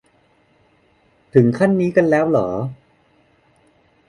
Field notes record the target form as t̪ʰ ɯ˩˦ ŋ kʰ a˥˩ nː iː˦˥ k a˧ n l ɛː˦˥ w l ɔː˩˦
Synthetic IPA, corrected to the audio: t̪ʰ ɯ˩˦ ŋ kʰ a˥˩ nː iː˦˥ k a˧ n l ɛː˦˥ w l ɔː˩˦